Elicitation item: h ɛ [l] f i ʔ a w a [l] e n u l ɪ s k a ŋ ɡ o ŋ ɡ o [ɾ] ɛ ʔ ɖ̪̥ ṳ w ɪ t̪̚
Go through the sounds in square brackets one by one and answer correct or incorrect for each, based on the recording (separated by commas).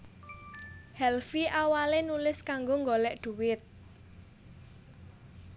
correct, correct, incorrect